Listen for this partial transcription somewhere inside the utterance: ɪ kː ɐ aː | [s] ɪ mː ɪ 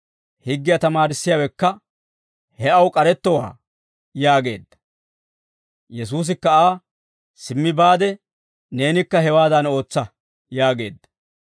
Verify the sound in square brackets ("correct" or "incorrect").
correct